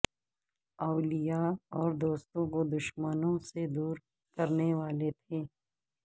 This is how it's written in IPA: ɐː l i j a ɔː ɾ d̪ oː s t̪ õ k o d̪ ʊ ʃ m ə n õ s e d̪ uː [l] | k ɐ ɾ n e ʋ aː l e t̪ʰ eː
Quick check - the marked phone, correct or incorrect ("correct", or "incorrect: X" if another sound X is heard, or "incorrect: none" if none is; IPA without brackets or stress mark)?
incorrect: ɾ